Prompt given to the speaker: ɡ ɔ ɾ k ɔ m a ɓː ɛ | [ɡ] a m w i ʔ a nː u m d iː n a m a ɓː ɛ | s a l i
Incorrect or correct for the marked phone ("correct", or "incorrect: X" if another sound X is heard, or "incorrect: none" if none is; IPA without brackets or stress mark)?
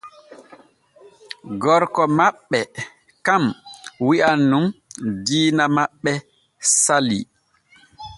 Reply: incorrect: k